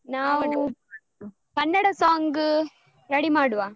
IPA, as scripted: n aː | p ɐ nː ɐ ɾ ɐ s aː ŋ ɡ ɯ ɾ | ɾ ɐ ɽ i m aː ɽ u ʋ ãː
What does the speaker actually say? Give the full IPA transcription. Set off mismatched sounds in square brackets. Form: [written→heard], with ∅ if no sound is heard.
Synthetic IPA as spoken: n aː | p ɐ nː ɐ [ɾ→ɽ] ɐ s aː ŋ ɡ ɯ [ɾ→∅] | ɾ ɐ ɽ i m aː ɽ [u→ɯ] ʋ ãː